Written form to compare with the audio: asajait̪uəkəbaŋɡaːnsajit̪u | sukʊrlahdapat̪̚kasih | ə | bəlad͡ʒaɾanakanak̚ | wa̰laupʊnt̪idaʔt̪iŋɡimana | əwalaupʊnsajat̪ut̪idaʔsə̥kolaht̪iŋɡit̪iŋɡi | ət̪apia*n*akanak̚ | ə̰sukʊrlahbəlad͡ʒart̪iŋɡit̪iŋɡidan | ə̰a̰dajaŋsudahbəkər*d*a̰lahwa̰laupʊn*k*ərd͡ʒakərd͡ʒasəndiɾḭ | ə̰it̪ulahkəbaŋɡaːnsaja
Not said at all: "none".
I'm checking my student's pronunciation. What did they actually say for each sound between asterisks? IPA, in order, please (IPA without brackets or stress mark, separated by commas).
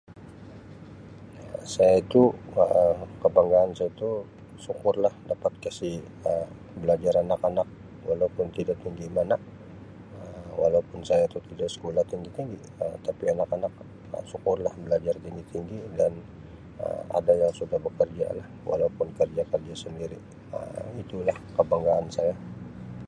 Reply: n, d͡ʒ, k